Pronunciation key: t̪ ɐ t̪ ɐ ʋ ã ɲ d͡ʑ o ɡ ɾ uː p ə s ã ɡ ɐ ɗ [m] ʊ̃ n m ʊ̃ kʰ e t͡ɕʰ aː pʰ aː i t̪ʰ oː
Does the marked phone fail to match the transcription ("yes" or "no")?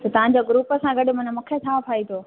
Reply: no